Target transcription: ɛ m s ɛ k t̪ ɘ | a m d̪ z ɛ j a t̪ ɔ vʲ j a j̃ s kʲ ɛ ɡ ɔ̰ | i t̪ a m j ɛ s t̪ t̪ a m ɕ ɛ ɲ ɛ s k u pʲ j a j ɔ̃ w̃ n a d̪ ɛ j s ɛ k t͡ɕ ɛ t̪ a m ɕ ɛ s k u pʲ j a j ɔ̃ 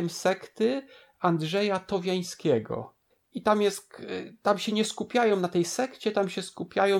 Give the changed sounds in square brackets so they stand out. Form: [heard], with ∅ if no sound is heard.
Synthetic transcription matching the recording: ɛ m s ɛ k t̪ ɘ | a [n] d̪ [ʐ] ɛ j a t̪ ɔ vʲ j a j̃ s kʲ ɛ ɡ ɔ̰ | i t̪ a m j ɛ s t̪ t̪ a m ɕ ɛ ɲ ɛ s k u pʲ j a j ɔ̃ w̃ n a [t̪] ɛ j s ɛ k t͡ɕ ɛ t̪ a m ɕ ɛ s k u pʲ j a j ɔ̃